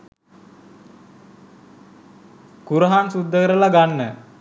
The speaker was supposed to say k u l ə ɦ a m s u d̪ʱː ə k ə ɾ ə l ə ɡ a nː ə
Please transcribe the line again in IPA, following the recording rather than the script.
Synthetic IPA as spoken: k u ɾ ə ɦ a n s u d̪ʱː ə k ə ɾ ə l a ɡ a nː ə